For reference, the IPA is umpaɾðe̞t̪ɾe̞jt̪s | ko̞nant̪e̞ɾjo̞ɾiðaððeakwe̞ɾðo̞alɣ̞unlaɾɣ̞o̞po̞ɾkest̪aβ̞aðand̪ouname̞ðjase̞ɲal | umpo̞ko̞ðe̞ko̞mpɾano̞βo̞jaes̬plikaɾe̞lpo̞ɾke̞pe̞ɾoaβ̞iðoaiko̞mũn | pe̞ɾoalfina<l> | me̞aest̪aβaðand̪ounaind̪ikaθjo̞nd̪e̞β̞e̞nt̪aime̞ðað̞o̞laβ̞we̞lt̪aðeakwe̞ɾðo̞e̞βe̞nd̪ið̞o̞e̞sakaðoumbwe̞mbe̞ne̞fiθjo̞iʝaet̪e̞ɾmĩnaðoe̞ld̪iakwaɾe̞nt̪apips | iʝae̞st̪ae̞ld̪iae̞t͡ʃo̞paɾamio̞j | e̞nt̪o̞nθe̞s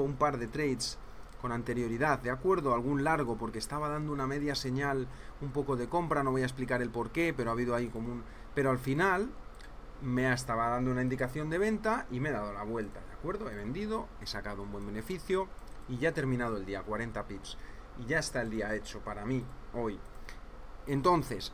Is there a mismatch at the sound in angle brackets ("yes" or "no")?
no